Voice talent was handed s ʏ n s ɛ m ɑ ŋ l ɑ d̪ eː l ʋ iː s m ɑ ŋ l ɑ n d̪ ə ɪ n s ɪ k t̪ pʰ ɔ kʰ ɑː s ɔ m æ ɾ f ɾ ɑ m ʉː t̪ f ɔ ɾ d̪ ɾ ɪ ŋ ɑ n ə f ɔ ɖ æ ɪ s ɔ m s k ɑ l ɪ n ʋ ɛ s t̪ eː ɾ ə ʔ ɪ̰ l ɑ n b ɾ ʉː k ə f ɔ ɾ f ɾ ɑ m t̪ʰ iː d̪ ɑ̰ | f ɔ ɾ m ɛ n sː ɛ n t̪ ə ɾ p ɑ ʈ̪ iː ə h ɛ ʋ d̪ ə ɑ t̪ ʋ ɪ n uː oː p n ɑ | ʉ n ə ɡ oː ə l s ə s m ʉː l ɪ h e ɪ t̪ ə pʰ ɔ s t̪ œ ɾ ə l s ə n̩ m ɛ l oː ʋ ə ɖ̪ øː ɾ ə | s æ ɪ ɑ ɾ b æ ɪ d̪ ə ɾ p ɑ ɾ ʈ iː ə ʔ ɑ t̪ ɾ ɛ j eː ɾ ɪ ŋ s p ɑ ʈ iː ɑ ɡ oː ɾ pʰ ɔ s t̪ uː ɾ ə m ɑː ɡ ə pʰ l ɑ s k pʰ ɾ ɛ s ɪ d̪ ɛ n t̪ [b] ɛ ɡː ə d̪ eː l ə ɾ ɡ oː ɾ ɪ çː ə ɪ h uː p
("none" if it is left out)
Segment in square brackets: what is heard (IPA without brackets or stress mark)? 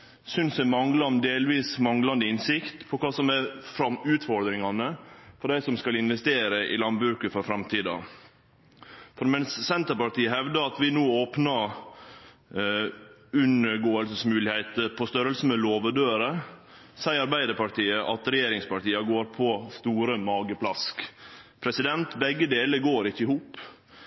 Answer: b